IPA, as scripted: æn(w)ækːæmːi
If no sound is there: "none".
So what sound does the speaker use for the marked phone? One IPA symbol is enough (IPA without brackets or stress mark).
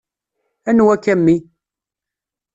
w